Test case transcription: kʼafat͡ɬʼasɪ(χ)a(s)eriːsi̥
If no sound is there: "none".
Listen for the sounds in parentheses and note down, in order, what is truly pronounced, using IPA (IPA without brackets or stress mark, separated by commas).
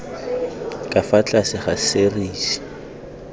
χ, s